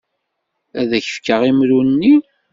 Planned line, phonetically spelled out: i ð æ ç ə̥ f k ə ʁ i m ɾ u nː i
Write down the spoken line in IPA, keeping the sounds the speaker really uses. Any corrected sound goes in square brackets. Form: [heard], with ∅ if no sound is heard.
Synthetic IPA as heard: [æ] ð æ ç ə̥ f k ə ʁ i m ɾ u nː i